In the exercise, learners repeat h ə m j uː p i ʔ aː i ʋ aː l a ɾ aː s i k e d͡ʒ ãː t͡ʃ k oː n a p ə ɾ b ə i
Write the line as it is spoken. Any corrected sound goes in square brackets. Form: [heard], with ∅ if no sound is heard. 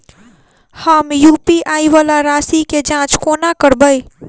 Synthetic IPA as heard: h ə m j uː p i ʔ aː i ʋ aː l a ɾ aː s i k e d͡ʒ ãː t͡ʃ k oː n a [k] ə ɾ b ə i